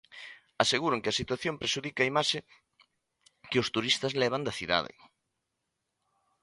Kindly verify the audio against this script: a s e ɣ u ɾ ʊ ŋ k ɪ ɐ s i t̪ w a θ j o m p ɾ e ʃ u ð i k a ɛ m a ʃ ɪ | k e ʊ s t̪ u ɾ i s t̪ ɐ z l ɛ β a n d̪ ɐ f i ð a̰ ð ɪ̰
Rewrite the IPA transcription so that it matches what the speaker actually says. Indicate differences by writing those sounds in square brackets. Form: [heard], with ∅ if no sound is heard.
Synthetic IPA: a s e ɣ u ɾ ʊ ŋ k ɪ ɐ s i t̪ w a θ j o m p ɾ e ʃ u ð i k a [i] m a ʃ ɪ | k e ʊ s t̪ u ɾ i s t̪ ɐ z l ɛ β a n d̪ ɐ [θ] i ð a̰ ð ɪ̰